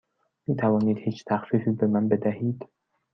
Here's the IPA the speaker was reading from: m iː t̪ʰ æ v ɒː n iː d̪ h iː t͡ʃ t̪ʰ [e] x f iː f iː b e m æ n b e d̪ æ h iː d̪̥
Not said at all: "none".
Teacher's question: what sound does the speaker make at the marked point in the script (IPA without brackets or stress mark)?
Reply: æ